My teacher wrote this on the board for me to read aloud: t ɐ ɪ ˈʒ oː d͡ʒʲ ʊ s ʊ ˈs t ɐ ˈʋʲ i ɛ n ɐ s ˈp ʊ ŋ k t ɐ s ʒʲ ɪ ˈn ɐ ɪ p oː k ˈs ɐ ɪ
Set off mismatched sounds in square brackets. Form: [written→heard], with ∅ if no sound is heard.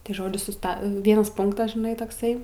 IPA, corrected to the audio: t ɐ ɪ ˈʒ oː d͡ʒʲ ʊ s ʊ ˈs t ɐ ˈʋʲ i ɛ n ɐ s ˈp ʊ ŋ k t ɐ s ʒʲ ɪ ˈn ɐ ɪ [p→t] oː k ˈs ɐ ɪ